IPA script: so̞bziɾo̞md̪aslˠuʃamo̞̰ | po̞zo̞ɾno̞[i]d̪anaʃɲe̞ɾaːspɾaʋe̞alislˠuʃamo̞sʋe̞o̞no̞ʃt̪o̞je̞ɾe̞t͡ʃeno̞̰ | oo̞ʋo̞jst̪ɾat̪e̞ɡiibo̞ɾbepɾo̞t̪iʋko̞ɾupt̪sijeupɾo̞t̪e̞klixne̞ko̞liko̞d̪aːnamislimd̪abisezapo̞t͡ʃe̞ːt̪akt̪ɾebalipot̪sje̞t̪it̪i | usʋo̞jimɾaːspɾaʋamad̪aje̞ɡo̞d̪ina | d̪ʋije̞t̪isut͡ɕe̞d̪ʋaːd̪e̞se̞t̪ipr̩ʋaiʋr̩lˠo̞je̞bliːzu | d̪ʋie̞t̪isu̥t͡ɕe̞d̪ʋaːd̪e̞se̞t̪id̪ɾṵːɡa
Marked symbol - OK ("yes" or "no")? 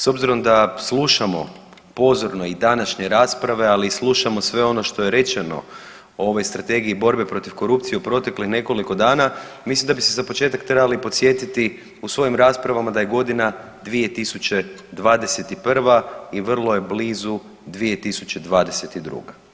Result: yes